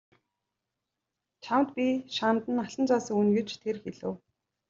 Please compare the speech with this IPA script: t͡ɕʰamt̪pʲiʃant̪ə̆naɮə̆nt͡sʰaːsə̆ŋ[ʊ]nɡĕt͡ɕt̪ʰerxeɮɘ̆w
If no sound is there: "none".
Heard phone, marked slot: u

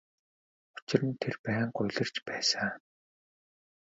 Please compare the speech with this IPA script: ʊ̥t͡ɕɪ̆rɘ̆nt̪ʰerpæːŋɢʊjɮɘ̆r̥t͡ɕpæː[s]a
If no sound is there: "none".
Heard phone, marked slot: s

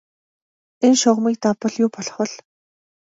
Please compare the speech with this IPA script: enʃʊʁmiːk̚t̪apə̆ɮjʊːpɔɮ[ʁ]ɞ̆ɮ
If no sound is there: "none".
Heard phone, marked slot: χ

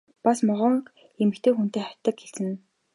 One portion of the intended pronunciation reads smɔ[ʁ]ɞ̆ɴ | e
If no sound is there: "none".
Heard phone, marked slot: ʁ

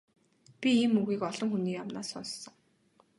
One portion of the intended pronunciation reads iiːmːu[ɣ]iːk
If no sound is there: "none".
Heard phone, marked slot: ɣ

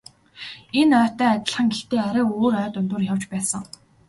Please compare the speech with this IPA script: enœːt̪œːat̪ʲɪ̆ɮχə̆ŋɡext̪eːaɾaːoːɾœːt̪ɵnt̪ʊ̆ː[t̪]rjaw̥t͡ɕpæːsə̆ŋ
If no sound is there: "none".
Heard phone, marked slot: none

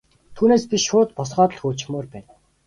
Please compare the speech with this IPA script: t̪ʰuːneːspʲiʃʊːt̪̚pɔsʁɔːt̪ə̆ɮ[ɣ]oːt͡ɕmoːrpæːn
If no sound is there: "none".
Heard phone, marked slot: x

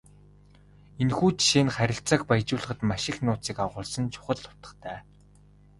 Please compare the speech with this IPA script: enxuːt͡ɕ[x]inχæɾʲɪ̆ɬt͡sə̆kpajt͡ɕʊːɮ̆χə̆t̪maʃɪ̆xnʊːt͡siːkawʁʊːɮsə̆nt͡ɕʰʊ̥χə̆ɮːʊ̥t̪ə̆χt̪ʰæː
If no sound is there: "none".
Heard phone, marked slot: ʃ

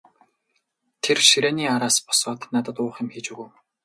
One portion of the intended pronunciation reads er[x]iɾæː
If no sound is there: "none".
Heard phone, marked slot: ʃ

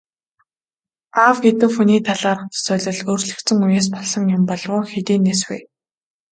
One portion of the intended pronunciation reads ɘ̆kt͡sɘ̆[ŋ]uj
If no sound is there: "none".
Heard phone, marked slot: ŋ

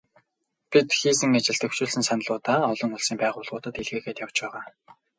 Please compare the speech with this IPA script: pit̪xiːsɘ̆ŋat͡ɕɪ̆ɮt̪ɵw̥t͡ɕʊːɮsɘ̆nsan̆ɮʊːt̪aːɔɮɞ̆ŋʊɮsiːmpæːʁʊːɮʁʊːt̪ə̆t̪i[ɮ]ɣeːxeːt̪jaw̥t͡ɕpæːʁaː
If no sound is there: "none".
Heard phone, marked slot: ɮ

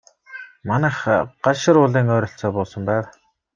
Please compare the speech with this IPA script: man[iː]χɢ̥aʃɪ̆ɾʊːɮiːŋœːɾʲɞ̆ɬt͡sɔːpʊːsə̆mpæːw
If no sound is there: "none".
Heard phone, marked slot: æː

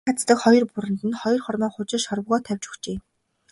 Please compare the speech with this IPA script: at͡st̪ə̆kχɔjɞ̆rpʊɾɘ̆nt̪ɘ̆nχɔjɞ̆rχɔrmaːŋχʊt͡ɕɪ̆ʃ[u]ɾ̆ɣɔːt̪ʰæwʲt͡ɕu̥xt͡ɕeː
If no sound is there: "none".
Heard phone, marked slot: ɔ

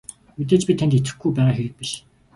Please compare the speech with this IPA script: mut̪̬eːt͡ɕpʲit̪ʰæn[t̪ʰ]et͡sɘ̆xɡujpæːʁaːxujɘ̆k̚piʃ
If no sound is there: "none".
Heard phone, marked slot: t̪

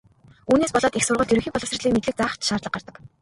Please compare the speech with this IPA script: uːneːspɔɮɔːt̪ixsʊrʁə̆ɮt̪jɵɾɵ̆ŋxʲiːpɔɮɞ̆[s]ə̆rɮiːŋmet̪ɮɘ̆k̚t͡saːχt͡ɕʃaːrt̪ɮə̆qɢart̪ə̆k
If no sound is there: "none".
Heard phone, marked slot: s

